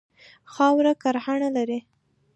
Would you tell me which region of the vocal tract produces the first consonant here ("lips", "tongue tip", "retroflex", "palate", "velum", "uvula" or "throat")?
velum